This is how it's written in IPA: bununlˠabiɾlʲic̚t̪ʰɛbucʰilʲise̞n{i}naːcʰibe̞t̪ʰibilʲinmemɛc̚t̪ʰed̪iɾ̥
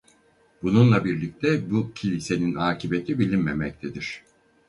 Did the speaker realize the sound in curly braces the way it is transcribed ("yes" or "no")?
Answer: yes